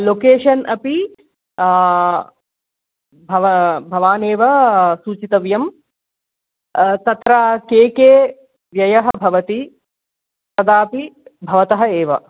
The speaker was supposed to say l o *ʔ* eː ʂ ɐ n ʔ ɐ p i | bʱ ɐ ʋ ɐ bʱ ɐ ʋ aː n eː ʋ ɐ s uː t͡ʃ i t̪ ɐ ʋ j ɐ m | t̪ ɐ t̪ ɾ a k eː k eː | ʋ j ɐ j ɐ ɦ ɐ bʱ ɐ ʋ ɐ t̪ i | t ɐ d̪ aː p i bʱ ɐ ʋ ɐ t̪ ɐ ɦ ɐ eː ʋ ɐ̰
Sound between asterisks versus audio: incorrect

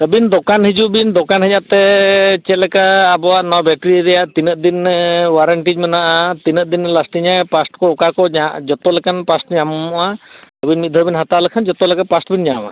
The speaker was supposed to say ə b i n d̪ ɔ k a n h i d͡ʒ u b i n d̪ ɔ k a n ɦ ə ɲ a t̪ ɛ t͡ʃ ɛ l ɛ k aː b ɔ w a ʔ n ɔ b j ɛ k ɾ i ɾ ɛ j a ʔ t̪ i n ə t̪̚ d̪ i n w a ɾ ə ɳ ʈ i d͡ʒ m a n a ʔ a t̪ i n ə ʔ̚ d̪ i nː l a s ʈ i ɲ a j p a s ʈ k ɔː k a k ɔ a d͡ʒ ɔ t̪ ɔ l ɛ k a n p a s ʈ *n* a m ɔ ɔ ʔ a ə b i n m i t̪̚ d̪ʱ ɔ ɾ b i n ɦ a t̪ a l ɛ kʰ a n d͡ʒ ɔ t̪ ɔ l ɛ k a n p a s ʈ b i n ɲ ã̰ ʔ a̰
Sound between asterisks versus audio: incorrect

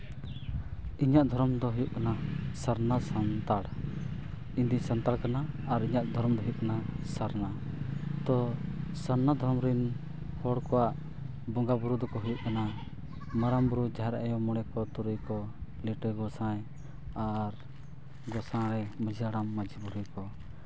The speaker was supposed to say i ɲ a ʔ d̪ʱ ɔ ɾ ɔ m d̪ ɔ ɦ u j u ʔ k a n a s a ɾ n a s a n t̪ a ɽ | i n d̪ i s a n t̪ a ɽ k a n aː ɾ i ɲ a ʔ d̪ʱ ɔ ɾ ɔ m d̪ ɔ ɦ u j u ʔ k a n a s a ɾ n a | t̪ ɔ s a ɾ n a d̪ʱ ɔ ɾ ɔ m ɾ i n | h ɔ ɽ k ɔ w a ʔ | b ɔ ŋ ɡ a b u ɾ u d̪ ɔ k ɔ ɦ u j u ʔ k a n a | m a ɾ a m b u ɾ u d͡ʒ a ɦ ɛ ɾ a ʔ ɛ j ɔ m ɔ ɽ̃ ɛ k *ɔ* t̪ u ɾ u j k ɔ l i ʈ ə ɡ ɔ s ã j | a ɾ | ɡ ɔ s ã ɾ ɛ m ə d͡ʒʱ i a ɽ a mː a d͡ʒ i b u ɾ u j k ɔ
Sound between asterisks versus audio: correct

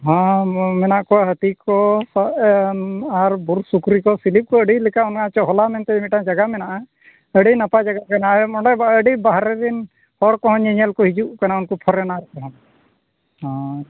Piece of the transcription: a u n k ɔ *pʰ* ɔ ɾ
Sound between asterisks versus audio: correct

